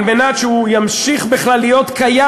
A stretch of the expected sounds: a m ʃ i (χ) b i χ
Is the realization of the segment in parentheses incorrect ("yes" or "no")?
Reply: no